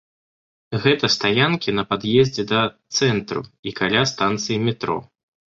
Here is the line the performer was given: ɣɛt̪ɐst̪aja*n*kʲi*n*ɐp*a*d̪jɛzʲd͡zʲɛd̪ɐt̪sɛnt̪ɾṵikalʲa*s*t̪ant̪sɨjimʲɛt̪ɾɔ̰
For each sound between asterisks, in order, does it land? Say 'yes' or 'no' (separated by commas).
yes, yes, yes, yes